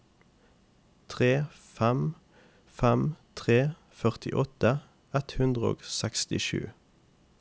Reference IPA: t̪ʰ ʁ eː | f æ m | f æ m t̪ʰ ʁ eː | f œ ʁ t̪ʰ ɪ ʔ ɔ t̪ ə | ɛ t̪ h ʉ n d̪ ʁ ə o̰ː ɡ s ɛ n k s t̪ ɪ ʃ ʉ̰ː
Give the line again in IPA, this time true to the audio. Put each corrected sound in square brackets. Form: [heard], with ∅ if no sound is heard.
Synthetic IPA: t̪ʰ ʁ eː | f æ m | f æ m t̪ʰ ʁ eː | f œ ʁ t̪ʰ ɪ ʔ ɔ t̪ ə | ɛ t̪ h ʉ n d̪ ʁ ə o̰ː ɡ s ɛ [∅] k s t̪ ɪ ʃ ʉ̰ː